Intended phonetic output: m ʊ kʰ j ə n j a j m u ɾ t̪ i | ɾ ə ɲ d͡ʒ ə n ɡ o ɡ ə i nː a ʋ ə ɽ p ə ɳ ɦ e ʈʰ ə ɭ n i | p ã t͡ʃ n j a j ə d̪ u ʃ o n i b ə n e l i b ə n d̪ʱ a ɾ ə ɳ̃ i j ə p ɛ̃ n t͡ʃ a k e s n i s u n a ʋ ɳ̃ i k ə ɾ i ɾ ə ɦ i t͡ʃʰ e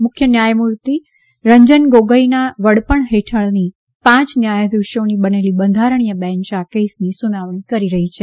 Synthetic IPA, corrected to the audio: m ʊ kʰ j ə n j a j m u ɾ t̪ i | ɾ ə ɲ d͡ʒ ə n ɡ o ɡ ə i n a ʋ ə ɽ p ə ɳ ɦ e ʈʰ ə ɭ n i | p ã t͡ʃ n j a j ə d̪ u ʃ o n i b ə n e l i b ə n d̪ʱ a ɾ ə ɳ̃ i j ə b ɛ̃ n t͡ʃ a k e s n i s u n a ʋ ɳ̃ i k ə ɾ i ɾ ə ɦ i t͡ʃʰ e